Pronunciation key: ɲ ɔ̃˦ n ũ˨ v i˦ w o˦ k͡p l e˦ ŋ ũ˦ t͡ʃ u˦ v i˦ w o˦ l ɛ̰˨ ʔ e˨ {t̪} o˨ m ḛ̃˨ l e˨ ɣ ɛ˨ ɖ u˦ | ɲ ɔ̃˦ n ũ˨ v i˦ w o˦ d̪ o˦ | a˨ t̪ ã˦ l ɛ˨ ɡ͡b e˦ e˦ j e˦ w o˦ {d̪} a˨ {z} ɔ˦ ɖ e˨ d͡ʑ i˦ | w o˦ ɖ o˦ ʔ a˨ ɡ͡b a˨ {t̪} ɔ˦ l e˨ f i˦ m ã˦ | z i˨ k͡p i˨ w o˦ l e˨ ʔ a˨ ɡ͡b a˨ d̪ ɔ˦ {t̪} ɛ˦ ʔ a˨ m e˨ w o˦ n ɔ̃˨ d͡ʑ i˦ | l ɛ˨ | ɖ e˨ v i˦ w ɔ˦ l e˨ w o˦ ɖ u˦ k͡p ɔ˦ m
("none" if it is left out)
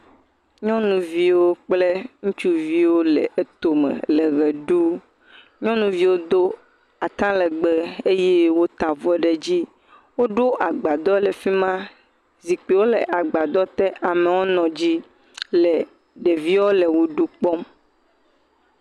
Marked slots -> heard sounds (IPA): t̪, t̪, v, d̪, t̪

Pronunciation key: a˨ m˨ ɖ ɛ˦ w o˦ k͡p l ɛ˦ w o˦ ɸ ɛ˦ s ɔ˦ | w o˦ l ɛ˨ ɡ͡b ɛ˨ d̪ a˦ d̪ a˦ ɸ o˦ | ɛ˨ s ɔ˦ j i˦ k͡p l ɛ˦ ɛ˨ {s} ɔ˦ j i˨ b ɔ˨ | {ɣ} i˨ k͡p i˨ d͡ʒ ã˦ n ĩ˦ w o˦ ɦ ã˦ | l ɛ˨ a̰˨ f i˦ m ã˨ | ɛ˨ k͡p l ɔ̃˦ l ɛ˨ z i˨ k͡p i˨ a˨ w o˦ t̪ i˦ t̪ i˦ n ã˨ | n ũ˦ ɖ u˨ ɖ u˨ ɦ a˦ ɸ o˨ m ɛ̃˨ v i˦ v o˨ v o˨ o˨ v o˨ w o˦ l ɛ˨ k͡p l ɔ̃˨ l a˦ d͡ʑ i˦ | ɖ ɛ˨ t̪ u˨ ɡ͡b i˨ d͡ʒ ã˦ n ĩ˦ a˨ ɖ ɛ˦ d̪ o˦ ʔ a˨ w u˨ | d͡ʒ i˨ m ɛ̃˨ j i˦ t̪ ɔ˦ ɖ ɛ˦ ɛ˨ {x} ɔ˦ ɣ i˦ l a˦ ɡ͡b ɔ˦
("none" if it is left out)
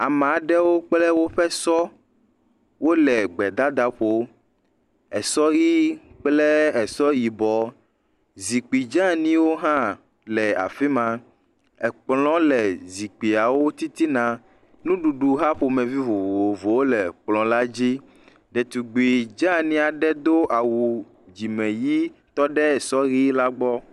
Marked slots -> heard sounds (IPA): s, z, s

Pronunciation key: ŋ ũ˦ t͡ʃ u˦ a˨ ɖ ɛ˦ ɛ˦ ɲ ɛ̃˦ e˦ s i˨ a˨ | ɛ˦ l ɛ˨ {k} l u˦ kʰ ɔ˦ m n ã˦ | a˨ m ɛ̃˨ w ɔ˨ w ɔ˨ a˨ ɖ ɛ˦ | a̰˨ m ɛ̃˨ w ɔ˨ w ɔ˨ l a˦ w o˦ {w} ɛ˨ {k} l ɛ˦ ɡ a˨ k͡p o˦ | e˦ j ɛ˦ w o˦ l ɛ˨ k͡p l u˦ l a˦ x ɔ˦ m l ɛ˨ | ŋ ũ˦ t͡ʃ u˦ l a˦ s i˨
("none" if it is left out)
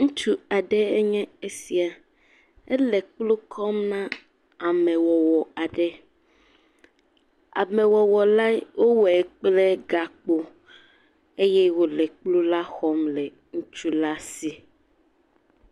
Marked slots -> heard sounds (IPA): k͡p, w, k͡p

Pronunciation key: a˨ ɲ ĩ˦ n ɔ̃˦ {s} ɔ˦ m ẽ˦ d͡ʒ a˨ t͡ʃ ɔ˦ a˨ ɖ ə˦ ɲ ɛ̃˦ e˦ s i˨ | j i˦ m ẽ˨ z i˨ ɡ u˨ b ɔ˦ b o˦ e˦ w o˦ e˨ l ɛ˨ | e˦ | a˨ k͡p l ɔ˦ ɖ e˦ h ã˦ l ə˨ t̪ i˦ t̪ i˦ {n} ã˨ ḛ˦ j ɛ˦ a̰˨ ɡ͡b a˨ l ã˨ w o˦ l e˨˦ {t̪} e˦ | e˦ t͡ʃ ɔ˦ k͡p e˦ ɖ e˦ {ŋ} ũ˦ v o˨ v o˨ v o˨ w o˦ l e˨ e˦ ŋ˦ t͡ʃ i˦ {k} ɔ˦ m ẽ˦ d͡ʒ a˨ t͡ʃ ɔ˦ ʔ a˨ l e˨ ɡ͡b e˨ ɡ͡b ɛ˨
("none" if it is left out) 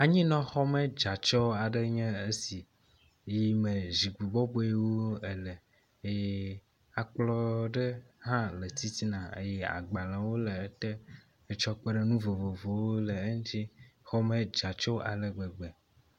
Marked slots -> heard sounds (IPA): x, n, t̪, n, x

